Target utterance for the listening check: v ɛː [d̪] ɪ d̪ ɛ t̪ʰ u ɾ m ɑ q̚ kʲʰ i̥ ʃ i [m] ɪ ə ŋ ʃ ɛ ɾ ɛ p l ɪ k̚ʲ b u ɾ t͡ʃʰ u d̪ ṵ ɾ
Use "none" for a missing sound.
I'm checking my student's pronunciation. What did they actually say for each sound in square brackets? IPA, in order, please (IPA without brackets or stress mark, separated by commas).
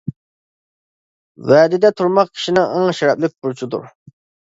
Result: d̪, n